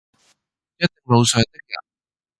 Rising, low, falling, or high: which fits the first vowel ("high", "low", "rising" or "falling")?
high